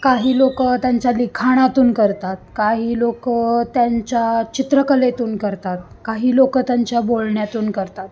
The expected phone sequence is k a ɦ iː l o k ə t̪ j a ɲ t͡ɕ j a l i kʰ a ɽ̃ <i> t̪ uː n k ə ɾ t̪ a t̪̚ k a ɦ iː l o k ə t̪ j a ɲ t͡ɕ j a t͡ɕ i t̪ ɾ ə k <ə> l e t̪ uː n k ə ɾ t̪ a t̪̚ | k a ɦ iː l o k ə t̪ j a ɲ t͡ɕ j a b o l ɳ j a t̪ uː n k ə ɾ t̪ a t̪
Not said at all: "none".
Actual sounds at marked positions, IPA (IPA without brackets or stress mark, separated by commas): a, ə